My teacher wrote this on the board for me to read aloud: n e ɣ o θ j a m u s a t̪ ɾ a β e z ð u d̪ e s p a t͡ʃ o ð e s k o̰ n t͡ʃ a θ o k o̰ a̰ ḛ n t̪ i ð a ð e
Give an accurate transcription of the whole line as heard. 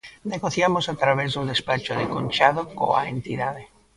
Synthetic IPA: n e ɣ o θ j a m o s a t̪ ɾ a β e z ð u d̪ e s p a t͡ʃ o ð e k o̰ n t͡ʃ a ð o k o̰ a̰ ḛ n t̪ i ð a ð e